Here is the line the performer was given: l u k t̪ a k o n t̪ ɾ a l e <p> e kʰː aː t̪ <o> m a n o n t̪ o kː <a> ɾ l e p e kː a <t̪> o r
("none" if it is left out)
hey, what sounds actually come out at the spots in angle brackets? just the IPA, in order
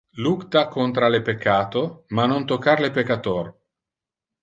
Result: p, o, a, t̪

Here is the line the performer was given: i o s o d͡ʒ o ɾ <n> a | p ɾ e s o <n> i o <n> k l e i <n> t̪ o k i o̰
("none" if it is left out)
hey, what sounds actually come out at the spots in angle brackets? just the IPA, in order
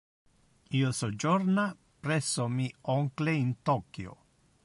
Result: n, m, ŋ, n

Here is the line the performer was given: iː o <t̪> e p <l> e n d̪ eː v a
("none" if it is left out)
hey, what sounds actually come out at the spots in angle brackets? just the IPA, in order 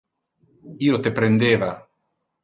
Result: t̪, ɾ

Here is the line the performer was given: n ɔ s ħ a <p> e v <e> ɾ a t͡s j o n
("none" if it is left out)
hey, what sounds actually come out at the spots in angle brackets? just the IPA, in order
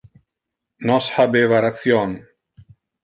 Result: b, a

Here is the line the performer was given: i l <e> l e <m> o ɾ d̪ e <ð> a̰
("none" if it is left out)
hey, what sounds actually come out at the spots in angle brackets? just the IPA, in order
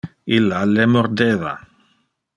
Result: a, m, ð

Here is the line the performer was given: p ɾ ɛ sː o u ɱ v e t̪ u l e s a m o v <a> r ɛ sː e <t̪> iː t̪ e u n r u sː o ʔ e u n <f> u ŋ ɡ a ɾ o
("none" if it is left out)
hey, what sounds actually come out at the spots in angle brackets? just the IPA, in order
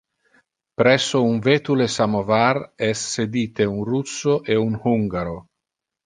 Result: a, d̪, h

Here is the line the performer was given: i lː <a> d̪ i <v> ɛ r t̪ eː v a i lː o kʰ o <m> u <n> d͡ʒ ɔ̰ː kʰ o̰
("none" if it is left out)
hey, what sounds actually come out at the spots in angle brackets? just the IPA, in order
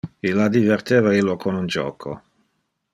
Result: a, v, n, n

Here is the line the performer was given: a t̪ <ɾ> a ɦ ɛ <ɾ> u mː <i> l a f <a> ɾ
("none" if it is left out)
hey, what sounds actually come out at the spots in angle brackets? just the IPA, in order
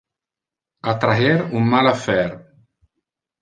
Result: ɾ, ɾ, a, ɛ

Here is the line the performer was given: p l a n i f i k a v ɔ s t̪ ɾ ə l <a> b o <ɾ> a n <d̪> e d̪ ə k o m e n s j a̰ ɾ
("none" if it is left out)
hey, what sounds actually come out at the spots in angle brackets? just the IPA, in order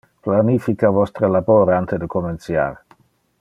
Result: a, ɾ, t̪

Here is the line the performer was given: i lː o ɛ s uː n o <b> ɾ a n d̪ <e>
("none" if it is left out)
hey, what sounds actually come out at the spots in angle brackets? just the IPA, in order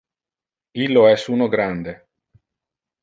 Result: ɡ, e

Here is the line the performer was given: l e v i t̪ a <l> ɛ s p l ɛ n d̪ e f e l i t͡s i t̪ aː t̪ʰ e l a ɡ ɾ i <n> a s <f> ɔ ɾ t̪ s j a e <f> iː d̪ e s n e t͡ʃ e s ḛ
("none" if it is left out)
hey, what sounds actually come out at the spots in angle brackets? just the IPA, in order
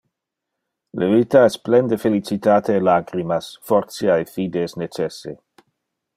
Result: none, m, f, f

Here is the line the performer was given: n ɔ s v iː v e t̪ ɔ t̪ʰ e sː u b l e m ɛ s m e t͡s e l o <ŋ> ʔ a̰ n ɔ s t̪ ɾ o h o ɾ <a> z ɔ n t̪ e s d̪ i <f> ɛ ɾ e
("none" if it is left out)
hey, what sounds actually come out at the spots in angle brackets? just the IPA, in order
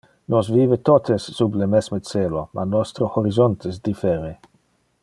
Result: m, i, f

